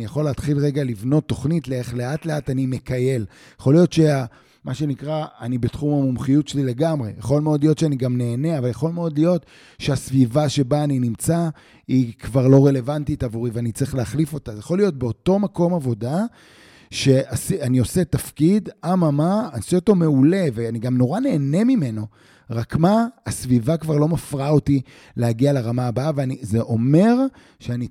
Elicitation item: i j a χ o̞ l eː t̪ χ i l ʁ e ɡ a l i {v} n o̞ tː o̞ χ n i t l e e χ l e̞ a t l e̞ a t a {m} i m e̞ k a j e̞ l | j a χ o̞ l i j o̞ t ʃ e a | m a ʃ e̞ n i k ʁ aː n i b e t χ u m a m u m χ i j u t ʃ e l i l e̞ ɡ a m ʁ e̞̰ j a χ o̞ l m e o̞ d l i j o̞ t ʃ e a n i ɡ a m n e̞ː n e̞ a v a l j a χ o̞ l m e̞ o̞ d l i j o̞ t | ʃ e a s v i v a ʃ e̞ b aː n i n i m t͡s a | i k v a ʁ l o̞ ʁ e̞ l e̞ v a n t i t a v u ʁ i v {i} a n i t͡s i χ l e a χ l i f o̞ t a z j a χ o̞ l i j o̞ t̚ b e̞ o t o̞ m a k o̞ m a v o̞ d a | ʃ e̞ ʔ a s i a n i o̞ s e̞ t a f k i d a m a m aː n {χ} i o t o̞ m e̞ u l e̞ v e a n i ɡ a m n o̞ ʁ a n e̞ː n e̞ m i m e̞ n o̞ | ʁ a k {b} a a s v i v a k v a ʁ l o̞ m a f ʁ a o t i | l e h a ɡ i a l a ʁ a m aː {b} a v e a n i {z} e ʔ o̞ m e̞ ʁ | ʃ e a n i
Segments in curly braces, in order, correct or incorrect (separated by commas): correct, incorrect, incorrect, incorrect, incorrect, correct, correct